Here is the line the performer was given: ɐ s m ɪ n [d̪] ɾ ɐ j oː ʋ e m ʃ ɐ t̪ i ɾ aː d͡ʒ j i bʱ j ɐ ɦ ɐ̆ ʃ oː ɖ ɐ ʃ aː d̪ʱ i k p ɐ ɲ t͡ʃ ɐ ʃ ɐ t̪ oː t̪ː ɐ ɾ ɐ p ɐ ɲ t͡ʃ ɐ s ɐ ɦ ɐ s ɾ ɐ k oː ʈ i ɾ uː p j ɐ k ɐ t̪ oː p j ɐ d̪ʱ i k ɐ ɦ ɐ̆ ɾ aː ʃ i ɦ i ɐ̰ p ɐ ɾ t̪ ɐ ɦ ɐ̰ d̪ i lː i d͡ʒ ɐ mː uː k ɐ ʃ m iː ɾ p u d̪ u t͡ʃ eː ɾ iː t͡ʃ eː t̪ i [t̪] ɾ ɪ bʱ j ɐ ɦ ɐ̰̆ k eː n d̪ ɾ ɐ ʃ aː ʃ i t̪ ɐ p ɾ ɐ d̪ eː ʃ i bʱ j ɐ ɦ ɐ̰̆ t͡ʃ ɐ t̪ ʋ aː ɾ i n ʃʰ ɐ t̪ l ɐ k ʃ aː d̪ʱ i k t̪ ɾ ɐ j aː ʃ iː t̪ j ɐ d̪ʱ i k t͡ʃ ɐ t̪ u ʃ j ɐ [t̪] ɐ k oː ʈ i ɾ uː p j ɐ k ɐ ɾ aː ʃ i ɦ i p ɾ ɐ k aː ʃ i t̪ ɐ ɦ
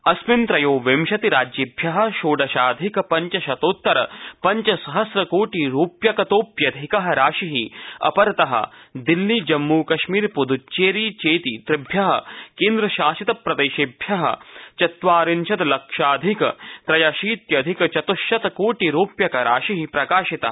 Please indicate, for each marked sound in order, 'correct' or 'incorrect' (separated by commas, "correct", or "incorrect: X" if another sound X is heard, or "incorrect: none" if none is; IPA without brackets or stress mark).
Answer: incorrect: t̪, correct, correct